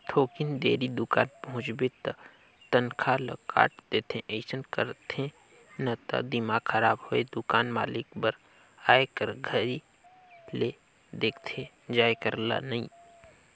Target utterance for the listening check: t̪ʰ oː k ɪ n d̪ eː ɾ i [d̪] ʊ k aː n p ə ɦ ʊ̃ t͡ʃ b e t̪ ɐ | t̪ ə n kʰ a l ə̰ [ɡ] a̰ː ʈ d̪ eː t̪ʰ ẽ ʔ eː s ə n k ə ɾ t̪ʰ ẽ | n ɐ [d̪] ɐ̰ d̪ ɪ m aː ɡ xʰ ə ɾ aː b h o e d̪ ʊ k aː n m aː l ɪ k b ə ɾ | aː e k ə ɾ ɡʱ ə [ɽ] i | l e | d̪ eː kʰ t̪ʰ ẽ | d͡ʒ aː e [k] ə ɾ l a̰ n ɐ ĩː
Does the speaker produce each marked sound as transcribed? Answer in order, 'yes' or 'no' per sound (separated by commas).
yes, no, no, no, yes